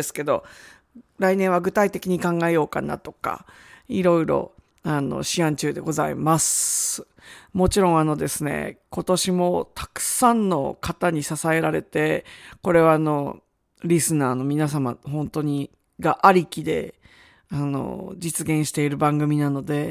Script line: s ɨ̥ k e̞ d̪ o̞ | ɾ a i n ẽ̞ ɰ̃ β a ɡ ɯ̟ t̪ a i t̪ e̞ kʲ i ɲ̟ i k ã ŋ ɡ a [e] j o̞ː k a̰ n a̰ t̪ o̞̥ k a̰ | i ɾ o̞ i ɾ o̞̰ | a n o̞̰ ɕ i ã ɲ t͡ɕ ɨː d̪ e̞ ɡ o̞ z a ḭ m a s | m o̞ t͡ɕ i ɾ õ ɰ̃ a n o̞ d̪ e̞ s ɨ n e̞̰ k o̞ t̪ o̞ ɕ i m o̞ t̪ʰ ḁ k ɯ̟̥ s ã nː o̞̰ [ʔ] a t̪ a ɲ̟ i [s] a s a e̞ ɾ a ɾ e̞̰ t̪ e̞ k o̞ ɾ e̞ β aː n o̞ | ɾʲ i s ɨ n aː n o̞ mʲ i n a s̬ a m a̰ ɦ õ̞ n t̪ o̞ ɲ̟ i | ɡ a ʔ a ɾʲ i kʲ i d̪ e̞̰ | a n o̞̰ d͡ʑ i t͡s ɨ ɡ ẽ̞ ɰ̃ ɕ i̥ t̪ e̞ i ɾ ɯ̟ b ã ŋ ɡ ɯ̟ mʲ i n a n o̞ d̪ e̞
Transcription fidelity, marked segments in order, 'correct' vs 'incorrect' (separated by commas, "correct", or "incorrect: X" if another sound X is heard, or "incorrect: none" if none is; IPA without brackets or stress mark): correct, incorrect: k, correct